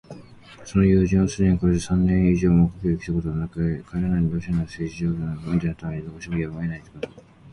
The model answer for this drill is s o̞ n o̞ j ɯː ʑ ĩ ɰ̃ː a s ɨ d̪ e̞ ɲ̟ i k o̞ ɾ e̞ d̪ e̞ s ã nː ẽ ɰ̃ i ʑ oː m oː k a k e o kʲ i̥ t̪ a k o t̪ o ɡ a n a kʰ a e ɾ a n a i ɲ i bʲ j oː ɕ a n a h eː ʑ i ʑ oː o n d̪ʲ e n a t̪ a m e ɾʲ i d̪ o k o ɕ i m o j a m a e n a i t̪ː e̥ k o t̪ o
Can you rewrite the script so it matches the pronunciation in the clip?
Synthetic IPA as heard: s o̞ n o̞ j ɯː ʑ ĩ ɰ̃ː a s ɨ d̪ e̞ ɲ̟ i k o̞ ɾ e̞ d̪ e̞ s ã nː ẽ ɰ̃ i ʑ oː m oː k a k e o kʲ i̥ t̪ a k o t̪ o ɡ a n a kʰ a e ɾ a n a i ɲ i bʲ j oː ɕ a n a s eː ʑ i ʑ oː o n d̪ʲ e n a t̪ a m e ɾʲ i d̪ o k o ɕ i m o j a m a e n a i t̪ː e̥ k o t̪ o